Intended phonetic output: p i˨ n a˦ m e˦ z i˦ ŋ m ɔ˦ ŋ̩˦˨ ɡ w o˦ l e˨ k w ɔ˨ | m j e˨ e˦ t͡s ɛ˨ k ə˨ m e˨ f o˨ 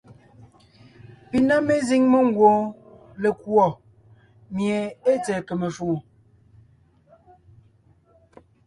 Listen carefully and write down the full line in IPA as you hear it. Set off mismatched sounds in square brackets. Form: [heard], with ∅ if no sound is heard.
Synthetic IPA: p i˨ n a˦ m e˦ z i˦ ŋ m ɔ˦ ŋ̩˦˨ ɡ w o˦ l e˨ k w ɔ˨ | m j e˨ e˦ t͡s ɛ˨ k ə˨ m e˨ f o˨